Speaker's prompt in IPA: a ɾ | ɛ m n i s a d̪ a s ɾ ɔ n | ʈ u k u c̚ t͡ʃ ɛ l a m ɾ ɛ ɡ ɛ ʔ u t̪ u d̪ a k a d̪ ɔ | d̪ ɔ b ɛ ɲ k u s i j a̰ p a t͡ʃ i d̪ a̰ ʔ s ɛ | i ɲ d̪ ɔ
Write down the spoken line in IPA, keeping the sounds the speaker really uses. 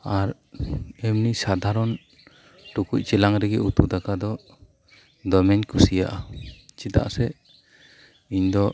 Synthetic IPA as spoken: a ɾ | ɛ m n i s a d̪ a ɾ ɔ n | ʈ u k u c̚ t͡ʃ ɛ l a ŋ ɾ ɛ ɡ ɛ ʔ u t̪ u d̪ a k a d̪ ɔ | d̪ ɔ m ɛ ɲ k u s i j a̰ ʔ a t͡ʃ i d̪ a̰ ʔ s ɛ | i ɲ d̪ ɔ